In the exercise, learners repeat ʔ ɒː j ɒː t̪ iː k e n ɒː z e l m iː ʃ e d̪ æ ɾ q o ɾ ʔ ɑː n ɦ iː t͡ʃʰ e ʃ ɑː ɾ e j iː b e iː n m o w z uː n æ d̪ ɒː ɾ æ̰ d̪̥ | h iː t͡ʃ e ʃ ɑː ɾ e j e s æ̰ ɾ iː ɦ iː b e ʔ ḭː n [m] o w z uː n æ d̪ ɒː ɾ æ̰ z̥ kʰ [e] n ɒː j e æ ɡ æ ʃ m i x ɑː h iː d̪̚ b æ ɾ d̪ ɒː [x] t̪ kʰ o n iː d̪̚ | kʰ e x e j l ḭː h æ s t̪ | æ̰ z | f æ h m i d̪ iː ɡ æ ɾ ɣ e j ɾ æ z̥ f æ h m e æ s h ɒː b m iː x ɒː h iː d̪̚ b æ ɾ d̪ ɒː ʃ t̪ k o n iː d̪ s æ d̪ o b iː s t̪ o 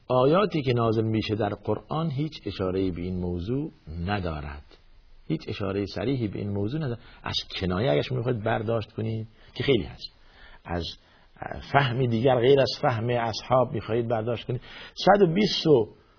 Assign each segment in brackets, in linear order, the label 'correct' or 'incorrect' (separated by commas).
correct, correct, incorrect